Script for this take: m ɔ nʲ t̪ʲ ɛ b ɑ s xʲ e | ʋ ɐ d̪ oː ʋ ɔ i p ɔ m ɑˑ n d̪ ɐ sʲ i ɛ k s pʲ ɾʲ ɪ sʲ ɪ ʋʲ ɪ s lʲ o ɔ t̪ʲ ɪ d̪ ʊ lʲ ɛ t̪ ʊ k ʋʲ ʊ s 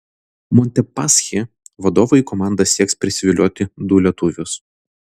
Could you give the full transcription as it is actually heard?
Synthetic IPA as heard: m ɔ nʲ t̪ʲ ɛ p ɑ s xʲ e | ʋ ɐ d̪ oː ʋ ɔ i k ɔ m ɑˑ n d̪ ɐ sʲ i ɛ k s pʲ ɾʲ ɪ sʲ ɪ ʋʲ ɪ lʲ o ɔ t̪ʲ ɪ d̪ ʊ lʲ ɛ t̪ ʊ ʋʲ ʊ s